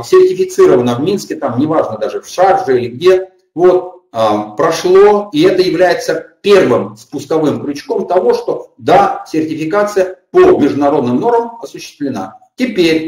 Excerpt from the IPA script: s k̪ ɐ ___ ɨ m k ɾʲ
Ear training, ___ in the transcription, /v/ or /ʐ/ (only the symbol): v